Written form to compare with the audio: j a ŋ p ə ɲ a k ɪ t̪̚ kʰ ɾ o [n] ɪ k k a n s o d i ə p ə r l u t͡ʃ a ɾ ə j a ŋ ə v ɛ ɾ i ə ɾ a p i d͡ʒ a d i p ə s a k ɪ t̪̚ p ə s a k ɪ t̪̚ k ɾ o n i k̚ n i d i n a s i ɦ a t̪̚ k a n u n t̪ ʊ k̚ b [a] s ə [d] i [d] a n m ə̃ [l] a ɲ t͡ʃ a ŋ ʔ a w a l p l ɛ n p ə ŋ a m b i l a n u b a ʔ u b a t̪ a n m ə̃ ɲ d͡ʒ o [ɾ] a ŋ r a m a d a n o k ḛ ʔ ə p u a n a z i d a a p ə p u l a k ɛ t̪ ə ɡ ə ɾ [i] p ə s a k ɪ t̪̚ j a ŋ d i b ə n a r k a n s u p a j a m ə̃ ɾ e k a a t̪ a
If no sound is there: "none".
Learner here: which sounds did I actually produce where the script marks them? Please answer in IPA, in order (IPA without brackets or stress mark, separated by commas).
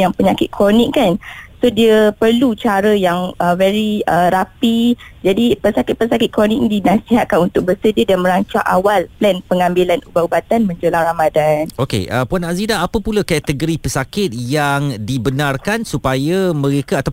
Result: n, ə, d, d, ɾ, l, i